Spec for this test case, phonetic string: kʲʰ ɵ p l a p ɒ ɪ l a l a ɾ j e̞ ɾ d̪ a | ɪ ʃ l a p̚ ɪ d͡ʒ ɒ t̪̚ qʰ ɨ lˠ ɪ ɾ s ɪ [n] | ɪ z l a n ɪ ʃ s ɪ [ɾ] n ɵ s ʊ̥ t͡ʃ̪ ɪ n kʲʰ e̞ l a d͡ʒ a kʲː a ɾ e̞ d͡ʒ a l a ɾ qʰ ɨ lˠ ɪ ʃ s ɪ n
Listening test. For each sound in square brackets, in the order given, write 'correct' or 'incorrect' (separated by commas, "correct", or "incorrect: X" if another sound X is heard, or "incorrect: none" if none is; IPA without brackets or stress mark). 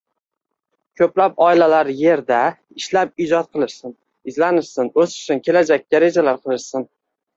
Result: correct, incorrect: none